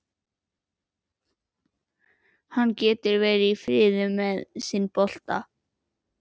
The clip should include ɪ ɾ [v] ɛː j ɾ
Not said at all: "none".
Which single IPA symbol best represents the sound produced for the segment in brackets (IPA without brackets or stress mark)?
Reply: v